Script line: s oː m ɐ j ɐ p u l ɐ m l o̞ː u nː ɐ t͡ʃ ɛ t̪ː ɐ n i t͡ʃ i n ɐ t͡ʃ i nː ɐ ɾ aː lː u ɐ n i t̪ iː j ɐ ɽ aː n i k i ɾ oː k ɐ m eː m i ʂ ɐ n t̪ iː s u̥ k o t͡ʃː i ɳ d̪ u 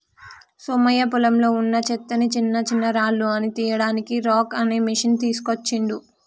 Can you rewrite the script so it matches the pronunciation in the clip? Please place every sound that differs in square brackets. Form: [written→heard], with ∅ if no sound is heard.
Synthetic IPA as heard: s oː m ɐ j ɐ p u l ɐ m l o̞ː u nː ɐ t͡ʃ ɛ t̪ː ɐ n i t͡ʃ i [n→nː] ɐ t͡ʃ i nː ɐ ɾ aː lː u ɐ n i t̪ iː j ɐ ɽ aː n i k i ɾ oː k ɐ [m→n] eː m i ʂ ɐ n t̪ iː s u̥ k o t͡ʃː i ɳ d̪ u